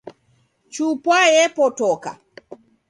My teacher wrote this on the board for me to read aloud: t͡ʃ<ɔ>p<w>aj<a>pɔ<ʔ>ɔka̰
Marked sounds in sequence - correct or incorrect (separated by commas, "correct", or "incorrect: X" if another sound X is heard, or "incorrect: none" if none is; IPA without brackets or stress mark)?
incorrect: u, correct, incorrect: ɛ, incorrect: t